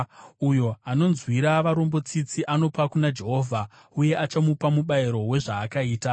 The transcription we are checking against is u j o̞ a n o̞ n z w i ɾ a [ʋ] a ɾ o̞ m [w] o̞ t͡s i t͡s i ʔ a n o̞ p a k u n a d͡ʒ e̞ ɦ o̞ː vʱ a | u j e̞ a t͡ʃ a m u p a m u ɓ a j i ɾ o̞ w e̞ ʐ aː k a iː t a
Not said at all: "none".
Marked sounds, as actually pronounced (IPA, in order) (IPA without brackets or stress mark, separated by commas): ʋ, b